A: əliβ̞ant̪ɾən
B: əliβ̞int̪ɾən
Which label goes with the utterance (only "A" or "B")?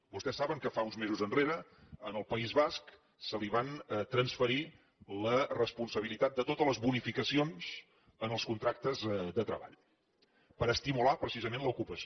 A